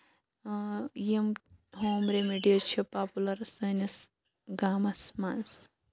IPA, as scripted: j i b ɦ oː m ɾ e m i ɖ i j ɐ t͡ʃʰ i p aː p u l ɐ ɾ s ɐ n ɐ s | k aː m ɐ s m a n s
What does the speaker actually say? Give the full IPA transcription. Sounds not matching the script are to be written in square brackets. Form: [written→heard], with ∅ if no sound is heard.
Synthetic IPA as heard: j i [b→m] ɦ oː m ɾ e m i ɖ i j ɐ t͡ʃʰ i p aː p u l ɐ ɾ s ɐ n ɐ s | [k→ɡ] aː m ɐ s m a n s